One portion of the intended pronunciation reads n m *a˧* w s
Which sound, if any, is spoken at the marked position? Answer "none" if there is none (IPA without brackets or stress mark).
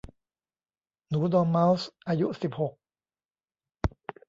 a˦˥